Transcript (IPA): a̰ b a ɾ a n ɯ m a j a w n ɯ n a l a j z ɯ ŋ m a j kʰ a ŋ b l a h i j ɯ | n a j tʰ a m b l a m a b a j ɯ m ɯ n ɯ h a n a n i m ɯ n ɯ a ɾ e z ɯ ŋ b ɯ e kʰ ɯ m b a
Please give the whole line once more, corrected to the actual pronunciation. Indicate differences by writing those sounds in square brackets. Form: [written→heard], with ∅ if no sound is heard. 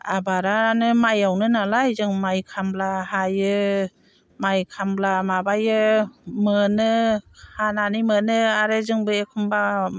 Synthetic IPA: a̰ b a ɾ a n ɯ m a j a w n ɯ n a l a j z ɯ ŋ m a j kʰ a [ŋ→m] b l a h [i→a] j ɯ | [n→m] a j [tʰ→kʰ] a m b l a m a b a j ɯ m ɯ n ɯ h a n a n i m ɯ n ɯ a ɾ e z ɯ ŋ b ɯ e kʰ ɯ m b a